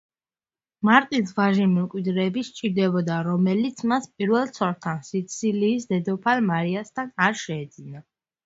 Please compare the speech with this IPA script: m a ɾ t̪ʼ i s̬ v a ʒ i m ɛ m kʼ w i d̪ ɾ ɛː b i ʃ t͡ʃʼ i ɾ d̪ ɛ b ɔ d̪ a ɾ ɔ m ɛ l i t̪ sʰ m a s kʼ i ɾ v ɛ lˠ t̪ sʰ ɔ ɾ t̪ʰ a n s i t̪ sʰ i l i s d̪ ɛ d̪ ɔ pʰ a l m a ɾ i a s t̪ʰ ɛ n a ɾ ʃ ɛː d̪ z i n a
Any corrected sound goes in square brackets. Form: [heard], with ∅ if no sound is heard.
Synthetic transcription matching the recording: m a ɾ t̪ʼ i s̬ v a ʒ i m ɛ m kʼ w i d̪ ɾ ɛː b i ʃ t͡ʃʼ i ɾ d̪ ɛ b ɔ d̪ a ɾ ɔ m ɛ l i t̪ sʰ m a s [pʼ] i ɾ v ɛ lˠ t̪ sʰ ɔ ɾ t̪ʰ a n s i t̪ sʰ i l [iː] s d̪ ɛ d̪ ɔ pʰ a l m a ɾ i a s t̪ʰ [a] n a ɾ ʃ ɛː d̪ z i n a